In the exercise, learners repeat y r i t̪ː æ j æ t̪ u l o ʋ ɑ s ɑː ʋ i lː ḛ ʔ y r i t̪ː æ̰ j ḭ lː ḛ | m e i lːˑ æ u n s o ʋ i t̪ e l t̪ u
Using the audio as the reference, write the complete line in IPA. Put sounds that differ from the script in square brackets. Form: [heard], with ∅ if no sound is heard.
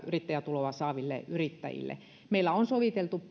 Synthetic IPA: y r i t̪ː æ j æ t̪ u l o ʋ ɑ s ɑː ʋ i lː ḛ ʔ y r i t̪ː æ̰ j ḭ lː ḛ | m e i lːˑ æ [o] n s o ʋ i t̪ e l t̪ u

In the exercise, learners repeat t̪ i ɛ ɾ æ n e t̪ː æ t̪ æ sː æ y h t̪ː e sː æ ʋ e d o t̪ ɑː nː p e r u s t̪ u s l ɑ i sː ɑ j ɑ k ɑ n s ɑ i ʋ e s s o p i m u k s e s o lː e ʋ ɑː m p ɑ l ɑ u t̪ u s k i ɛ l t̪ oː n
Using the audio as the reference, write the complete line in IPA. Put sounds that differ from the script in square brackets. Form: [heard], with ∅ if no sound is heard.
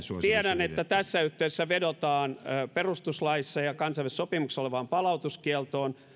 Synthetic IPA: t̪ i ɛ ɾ æ n e t̪ː æ t̪ æ sː æ y h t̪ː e sː æ ʋ e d o t̪ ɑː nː p e r u s t̪ u s l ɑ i sː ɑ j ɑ k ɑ n s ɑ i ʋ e s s o p i m u k s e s o [l] e ʋ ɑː m p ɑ l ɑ u t̪ u s k i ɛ l t̪ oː n

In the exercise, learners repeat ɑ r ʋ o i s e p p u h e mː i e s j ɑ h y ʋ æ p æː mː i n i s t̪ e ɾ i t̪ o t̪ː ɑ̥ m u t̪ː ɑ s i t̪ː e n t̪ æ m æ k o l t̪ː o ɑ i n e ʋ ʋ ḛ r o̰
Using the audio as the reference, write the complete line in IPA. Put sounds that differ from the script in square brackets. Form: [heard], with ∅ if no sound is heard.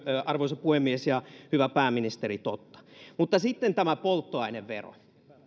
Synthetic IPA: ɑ r ʋ o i s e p p u h e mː i e s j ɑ h y ʋ æ p æː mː i n i s t̪ e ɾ i t̪ o t̪ː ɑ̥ m u t̪ː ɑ s i t̪ː e n t̪ æ m æ [p] o l t̪ː o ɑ i n e ʋ ʋ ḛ r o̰

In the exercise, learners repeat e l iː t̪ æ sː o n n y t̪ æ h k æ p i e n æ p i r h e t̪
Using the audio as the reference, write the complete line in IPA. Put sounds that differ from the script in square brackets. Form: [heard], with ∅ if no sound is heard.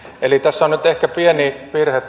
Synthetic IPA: e l [i] t̪ æ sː o n n y t̪ [e] h k æ p i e n [i] p i r h e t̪

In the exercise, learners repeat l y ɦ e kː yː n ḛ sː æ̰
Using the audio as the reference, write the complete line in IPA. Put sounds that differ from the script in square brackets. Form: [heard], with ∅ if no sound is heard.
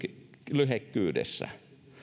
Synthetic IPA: l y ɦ e kː yː [d] ḛ sː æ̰

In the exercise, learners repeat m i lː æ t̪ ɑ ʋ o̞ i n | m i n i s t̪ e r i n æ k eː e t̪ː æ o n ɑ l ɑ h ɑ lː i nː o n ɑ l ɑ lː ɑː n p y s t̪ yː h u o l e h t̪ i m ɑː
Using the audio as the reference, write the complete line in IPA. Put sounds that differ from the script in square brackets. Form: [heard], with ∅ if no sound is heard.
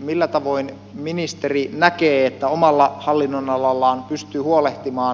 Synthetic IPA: m i lː æ t̪ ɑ ʋ o̞ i n | m i n i s t̪ e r i n æ k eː e t̪ː æ o [m] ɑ [lː] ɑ h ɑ lː i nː o n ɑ l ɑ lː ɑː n p y s t̪ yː h u o l e h t̪ i m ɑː

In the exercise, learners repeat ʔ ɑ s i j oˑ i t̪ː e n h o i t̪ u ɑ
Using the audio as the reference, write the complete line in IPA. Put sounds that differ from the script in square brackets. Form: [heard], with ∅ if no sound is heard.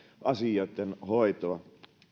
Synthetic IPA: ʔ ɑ s i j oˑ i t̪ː e n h o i t̪ [o] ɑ

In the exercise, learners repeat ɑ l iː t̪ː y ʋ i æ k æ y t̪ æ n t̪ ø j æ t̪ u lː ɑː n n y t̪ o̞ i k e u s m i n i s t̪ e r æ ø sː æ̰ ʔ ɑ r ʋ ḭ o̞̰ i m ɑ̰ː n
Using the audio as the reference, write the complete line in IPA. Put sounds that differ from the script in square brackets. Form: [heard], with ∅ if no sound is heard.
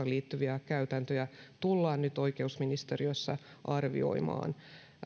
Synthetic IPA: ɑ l iː t̪ː y ʋ i æ k æ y t̪ æ n t̪ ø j æ t̪ u lː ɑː n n y t̪ o̞ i k e u s m i n i s t̪ e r [i] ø sː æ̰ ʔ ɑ r ʋ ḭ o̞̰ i m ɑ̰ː n

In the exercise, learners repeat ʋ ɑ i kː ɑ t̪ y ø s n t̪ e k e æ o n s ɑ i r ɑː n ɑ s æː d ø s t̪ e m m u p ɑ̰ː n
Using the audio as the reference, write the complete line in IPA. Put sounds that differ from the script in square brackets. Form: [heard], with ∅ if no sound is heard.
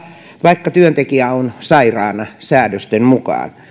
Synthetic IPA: ʋ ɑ i kː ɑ t̪ y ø [∅] n t̪ e k [i] æ o n s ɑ i r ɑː n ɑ s æː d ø s t̪ e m m u [k] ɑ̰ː n

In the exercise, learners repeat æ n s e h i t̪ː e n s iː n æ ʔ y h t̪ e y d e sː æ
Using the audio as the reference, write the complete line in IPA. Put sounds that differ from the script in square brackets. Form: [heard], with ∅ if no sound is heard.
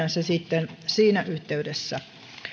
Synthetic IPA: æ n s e [s] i t̪ː e n s iː n æ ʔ y h t̪ e y d e sː æ

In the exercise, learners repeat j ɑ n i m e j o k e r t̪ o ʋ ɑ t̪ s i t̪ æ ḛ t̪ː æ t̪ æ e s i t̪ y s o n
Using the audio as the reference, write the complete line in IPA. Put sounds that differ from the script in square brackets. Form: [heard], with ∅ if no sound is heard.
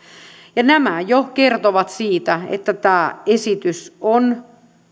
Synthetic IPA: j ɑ n [æ] m [æ] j o k e r t̪ o ʋ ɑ t̪ s [iː] t̪ æ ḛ t̪ː æ t̪ [æː] e s i t̪ y s o n

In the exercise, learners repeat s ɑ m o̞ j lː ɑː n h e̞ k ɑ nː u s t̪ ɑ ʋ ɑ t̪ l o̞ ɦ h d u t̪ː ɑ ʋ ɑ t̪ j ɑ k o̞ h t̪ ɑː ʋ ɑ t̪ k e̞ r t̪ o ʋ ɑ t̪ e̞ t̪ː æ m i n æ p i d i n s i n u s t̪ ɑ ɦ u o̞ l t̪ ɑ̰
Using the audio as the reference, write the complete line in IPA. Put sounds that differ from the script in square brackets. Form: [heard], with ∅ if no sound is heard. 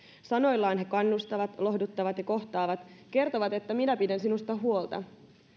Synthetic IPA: s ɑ [n] o̞ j lː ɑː n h e̞ k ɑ nː u s t̪ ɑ ʋ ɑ t̪ l o̞ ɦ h d u t̪ː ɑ ʋ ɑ t̪ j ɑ k o̞ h t̪ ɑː ʋ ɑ t̪ k e̞ r t̪ o ʋ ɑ t̪ e̞ t̪ː æ m i n æ p i d [æ] n s i n u s t̪ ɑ ɦ u o̞ l t̪ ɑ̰

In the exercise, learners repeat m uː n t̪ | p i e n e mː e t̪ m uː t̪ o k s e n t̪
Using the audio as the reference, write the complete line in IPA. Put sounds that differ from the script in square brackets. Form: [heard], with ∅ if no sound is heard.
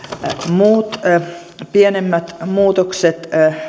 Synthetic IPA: m uː [∅] t̪ | p i e n e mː [æ] t̪ m uː t̪ o k s e [∅] t̪

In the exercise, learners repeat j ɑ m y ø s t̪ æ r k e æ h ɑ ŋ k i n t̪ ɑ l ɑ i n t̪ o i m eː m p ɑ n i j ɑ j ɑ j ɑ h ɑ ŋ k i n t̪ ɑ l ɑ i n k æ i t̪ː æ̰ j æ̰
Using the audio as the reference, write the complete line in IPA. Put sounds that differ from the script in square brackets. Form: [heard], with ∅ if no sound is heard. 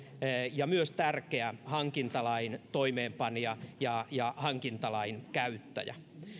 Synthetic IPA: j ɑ m y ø s t̪ æ r k e æ h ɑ ŋ k i n t̪ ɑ l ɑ i n t̪ o i m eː m p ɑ n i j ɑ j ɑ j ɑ h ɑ ŋ k i n t̪ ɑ l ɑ i n k æ [y] t̪ː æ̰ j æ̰

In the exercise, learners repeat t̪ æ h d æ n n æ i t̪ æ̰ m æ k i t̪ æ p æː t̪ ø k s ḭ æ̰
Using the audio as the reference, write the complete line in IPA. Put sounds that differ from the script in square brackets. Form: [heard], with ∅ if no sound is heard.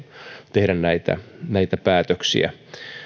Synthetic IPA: t̪ [e] h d æ n n æ i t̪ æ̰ [n] æ [∅] i t̪ æ p æː t̪ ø k s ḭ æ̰

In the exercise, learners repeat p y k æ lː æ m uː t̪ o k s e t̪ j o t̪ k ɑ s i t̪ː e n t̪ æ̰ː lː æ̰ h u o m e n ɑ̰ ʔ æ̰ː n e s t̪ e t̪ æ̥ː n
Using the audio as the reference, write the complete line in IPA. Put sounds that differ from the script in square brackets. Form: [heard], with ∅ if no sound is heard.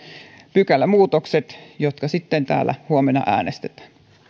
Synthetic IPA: p y k æ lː æ m uː t̪ o k s e t̪ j o t̪ k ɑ s i t̪ː e n t̪ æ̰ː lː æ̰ h u o m e n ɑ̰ ʔ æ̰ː n e s t̪ e t̪ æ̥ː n

